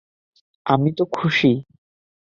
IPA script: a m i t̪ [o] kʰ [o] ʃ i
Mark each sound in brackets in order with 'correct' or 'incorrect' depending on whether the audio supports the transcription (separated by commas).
correct, incorrect